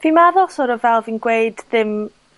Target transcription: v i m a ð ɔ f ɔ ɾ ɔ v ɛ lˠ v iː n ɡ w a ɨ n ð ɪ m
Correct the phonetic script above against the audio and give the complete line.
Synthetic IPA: v i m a ð ɔ s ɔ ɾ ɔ v ɛ lˠ v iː n ɡ w e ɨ d ð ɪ m